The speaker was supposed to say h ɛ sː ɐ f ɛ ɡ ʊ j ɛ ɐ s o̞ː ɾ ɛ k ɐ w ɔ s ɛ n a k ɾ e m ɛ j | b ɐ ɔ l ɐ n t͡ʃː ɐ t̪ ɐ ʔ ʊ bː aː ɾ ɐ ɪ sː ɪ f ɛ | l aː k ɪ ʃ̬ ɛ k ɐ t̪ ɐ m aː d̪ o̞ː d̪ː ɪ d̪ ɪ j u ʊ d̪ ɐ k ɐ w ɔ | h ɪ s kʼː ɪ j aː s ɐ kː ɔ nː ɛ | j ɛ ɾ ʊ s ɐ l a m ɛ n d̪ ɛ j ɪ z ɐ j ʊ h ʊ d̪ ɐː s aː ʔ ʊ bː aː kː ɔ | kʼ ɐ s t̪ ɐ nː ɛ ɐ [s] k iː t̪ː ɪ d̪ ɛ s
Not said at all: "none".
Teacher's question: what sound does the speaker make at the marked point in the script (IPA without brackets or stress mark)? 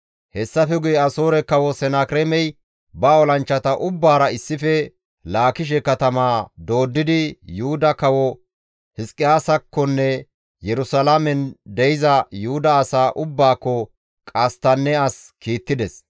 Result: s